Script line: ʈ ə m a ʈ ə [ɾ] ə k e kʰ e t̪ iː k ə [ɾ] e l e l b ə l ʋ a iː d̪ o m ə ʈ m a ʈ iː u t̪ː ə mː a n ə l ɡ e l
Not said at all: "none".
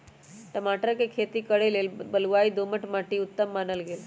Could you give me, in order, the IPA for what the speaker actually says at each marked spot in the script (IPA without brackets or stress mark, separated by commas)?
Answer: ɾ, ɽ